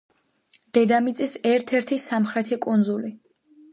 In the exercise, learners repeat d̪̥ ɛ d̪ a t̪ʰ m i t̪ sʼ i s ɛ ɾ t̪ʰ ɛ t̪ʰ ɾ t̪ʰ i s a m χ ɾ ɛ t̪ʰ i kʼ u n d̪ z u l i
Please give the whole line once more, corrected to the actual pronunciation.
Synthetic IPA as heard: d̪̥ ɛ d̪ a m i t̪ sʼ i s ɛ ɾ t̪ʰ ɛ ɾ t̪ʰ i s a m χ ɾ ɛ t̪ʰ i kʼ u n d̪ z u l i